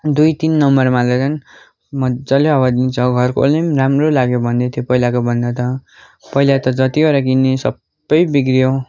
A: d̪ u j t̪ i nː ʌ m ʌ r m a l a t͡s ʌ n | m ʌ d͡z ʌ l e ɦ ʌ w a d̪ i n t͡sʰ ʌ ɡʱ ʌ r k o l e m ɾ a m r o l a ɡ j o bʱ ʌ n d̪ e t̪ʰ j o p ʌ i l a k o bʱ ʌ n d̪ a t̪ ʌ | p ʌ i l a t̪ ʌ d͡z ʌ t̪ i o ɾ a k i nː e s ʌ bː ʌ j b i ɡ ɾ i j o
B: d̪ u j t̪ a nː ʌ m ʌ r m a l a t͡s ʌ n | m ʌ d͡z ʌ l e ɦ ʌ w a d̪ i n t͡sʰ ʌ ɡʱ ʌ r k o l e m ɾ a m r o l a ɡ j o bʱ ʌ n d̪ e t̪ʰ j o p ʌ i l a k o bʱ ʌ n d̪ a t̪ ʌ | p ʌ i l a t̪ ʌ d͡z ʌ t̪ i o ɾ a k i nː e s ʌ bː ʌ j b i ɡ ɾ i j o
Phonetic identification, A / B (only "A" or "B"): A